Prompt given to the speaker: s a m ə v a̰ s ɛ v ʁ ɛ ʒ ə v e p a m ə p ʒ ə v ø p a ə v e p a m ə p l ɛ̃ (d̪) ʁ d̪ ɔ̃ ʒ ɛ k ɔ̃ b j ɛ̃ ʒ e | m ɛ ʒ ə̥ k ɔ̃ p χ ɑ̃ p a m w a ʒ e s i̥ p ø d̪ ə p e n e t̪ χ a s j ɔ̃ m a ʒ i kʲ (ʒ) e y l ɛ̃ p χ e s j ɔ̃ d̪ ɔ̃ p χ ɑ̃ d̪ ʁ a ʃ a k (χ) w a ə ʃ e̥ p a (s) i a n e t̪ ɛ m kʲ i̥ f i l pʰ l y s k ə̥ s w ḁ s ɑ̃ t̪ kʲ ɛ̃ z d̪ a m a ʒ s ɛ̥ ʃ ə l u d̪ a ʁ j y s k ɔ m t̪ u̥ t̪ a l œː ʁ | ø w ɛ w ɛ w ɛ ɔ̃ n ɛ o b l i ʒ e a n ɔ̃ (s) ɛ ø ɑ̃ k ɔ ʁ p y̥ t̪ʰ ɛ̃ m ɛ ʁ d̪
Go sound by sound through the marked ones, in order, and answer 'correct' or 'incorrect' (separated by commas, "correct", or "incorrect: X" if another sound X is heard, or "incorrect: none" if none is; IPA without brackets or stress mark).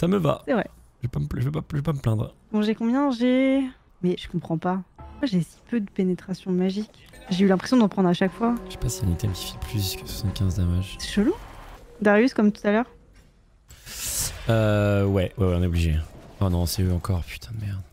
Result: correct, correct, incorrect: f, correct, correct